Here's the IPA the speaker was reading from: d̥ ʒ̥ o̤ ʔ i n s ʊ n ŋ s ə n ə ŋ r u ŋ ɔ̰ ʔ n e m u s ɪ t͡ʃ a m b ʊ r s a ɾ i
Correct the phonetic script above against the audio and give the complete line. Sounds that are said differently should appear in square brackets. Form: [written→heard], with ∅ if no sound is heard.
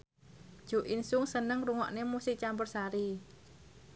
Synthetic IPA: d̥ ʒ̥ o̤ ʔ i n s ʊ [n→∅] ŋ s ə n ə ŋ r u ŋ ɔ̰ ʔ n e m u s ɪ t͡ʃ a m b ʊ r s a ɾ i